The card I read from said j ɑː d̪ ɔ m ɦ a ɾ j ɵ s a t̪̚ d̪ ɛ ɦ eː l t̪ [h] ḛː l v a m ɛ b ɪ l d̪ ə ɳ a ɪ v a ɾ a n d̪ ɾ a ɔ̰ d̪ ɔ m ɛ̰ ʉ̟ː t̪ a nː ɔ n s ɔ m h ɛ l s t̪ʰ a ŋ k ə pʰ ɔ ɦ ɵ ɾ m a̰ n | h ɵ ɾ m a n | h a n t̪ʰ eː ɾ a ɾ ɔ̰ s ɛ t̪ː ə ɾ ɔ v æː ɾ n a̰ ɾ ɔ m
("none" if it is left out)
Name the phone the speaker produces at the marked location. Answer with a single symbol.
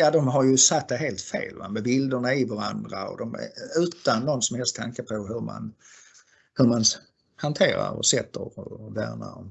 f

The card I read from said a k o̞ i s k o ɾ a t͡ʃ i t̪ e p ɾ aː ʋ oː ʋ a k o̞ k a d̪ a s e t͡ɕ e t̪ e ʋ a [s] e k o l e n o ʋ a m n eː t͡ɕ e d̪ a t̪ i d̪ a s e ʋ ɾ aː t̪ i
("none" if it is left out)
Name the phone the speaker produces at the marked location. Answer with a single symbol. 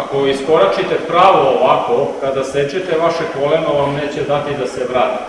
ʃ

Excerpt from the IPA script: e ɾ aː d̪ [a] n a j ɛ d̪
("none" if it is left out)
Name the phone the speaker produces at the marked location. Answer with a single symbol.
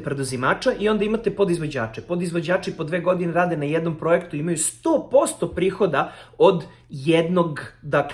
e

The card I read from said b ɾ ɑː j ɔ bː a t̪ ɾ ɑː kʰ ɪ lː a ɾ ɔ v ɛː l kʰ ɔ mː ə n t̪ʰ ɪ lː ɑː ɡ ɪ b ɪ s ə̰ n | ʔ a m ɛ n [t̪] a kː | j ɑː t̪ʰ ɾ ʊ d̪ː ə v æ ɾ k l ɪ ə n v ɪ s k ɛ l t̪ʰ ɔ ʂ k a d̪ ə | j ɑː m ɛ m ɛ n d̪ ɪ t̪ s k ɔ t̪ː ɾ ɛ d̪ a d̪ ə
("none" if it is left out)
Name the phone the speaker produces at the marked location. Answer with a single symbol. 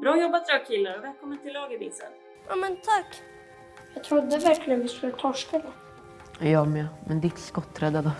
t̪ʰ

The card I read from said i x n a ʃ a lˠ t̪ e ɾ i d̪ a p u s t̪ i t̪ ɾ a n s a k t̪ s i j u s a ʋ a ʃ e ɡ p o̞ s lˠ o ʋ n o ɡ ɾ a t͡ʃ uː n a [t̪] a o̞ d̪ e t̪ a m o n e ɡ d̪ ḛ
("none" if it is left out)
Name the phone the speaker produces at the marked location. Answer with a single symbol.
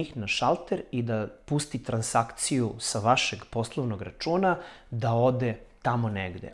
d̪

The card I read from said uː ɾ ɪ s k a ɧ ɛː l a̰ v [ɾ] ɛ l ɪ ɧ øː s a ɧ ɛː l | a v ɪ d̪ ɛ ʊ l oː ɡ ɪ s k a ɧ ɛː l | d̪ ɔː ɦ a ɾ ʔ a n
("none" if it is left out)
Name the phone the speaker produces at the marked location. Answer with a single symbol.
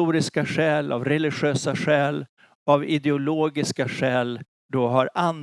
ɾ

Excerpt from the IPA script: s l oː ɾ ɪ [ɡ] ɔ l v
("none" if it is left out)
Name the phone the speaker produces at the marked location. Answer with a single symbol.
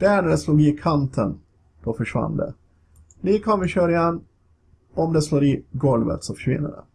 ɡ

